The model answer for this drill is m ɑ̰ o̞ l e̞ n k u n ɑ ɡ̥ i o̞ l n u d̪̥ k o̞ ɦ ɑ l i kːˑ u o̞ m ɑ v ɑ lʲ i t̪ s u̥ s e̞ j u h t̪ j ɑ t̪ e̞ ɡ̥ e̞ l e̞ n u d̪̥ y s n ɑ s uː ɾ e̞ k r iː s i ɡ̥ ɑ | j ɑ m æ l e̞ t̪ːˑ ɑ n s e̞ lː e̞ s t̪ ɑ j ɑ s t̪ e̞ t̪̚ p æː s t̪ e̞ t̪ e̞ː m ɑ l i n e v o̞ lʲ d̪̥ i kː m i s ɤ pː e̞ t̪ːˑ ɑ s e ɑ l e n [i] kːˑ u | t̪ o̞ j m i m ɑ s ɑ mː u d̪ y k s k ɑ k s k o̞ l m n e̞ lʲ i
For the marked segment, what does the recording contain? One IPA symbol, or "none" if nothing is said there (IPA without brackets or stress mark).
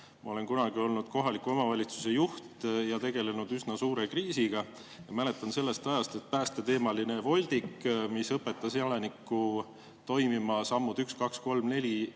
i